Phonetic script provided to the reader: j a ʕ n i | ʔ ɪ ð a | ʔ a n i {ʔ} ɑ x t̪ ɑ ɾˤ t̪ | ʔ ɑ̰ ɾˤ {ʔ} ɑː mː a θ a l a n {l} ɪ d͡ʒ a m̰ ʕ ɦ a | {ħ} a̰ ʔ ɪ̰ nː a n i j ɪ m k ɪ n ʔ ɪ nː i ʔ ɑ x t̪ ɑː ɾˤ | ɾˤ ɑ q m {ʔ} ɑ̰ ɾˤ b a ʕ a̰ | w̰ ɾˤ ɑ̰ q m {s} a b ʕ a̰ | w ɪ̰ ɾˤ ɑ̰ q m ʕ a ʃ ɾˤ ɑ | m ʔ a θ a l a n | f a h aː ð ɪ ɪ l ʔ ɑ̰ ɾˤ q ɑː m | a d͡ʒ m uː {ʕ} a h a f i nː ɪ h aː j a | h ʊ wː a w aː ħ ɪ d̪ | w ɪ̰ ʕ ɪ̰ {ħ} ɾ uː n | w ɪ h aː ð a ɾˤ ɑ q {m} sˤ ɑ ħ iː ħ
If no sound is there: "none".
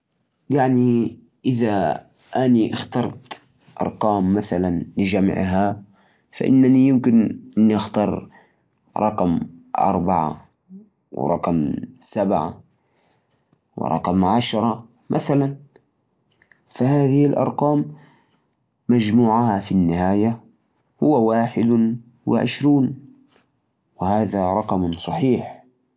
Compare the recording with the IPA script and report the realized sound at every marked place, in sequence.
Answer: ʔ, q, l, f, ʔ, s, ʕ, ʃ, m

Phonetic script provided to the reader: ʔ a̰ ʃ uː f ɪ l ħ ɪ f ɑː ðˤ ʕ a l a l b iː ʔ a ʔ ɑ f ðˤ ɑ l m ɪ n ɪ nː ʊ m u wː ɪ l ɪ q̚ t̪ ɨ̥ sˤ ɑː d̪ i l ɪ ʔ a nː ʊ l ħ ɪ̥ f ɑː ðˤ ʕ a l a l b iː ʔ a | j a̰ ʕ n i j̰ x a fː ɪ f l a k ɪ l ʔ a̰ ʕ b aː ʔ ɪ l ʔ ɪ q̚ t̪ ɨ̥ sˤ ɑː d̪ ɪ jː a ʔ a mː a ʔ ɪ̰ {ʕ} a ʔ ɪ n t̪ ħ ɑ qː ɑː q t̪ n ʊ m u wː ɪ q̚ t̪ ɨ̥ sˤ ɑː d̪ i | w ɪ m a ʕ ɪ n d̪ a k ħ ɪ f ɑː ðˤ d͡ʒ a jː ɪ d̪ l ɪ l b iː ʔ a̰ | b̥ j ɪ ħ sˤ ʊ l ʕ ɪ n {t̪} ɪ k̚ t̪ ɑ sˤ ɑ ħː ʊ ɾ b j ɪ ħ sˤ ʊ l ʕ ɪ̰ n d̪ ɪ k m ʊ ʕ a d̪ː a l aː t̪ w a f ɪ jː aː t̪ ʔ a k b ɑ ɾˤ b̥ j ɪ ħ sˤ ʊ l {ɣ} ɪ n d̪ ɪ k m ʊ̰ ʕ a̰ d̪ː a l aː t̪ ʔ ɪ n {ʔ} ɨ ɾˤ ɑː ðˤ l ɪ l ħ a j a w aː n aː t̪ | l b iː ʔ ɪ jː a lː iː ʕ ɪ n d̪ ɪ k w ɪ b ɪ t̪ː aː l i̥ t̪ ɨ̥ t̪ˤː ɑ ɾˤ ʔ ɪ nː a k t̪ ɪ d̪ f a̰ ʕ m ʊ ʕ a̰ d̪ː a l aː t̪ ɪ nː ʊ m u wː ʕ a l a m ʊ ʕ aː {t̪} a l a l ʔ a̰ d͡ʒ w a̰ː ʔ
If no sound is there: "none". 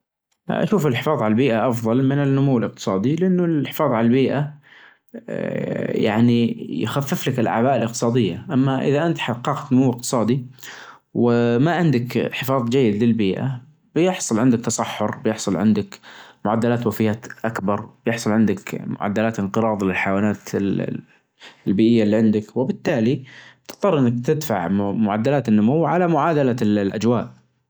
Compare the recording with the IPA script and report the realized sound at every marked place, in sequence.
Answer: ð, d̪, ʕ, q, d̪

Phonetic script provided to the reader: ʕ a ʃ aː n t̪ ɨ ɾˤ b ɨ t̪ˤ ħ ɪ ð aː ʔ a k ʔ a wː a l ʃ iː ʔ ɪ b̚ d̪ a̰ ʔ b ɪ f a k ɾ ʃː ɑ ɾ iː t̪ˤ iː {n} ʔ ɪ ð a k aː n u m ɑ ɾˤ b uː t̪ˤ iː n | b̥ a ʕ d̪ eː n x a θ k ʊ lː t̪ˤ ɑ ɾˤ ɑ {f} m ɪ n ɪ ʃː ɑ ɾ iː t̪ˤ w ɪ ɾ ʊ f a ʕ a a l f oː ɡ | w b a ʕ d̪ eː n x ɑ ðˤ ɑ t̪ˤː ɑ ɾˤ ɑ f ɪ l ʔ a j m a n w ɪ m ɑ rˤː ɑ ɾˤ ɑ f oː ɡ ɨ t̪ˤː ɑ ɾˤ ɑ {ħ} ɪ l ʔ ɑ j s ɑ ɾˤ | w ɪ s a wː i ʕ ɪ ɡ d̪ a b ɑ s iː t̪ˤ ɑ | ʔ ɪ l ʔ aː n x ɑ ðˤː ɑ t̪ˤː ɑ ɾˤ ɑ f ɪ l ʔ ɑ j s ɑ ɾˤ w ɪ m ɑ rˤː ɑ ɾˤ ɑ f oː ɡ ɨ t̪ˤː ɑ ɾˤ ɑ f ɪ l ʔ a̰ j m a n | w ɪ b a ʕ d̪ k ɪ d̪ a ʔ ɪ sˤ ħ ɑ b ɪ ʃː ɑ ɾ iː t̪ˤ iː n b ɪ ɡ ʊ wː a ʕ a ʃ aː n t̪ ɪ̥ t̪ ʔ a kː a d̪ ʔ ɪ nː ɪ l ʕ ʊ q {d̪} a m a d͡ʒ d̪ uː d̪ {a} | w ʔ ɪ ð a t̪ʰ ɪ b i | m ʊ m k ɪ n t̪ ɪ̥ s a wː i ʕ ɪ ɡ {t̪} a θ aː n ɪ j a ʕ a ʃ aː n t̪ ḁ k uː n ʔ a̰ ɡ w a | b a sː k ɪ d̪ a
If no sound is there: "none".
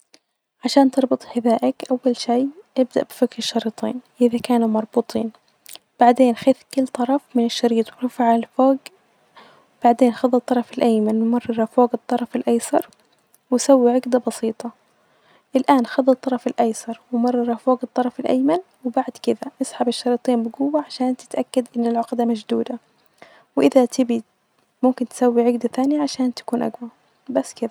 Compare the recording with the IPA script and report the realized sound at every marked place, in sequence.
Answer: n, f, f, d̪, a, d̪

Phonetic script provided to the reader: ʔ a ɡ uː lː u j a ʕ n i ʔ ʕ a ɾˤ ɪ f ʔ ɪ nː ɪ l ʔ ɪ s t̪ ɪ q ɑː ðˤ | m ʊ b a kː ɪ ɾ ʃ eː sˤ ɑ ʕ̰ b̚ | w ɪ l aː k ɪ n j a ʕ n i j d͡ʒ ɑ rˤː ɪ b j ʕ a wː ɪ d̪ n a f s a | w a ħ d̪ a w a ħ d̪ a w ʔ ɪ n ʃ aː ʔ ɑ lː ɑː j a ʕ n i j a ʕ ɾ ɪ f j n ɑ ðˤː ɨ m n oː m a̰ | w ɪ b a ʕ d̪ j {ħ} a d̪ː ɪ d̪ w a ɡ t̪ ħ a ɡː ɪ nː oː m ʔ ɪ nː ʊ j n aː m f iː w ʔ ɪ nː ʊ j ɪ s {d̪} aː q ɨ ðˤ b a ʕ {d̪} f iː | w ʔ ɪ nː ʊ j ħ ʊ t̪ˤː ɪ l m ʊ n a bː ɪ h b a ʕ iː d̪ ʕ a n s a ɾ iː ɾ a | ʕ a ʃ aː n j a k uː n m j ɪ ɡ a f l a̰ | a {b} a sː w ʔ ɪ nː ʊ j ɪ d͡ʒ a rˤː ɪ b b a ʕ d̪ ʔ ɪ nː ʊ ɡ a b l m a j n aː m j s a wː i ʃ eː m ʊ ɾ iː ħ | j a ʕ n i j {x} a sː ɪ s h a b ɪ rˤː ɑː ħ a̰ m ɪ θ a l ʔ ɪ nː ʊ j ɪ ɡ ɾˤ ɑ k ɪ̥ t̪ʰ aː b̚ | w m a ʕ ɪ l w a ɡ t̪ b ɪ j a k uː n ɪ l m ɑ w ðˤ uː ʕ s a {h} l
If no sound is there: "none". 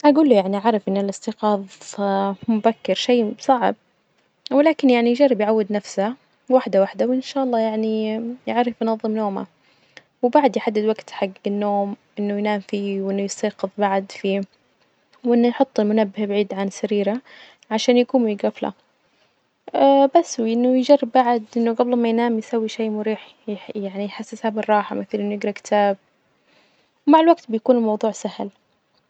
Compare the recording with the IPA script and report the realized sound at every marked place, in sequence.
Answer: ħ, t̪, d̪, b, ħ, h

